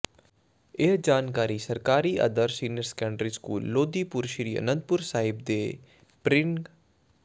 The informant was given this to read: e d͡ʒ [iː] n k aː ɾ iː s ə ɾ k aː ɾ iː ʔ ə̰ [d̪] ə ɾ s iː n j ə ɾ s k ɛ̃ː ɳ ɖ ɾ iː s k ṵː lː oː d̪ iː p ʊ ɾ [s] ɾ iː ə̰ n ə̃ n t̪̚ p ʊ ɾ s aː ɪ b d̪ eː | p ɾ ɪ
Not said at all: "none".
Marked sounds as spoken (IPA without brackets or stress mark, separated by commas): aː, d̪, ʃ